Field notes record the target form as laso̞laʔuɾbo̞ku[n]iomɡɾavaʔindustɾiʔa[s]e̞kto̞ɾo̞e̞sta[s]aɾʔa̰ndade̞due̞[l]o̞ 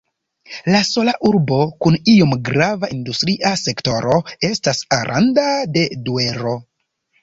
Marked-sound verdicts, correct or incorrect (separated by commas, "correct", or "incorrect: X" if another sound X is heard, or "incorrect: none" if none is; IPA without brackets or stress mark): correct, correct, correct, incorrect: ɾ